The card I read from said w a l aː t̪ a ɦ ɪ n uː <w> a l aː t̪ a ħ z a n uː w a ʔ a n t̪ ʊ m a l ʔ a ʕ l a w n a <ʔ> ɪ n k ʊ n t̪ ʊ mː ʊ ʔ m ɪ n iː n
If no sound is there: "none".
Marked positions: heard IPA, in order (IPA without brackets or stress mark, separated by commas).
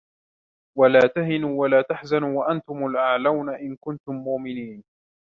w, ʔ